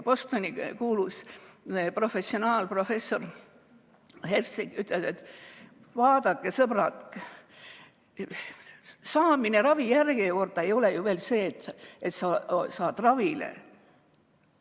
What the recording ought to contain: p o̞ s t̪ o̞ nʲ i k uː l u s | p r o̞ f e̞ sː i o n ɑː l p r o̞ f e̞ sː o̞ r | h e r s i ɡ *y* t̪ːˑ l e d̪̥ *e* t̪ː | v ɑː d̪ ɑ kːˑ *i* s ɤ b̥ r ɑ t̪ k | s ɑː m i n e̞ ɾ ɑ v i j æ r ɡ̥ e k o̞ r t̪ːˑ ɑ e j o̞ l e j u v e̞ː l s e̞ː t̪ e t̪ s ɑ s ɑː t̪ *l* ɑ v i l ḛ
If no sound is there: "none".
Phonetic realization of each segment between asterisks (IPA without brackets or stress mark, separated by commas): y, e, e, r